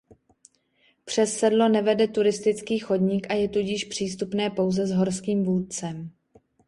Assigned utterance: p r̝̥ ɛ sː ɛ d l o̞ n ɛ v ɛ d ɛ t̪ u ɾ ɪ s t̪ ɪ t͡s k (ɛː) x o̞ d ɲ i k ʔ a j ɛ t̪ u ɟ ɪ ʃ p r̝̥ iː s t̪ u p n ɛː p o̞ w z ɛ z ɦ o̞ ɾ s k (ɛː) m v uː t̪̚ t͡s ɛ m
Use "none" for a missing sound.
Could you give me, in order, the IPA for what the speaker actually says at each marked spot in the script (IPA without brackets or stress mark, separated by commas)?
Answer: iː, iː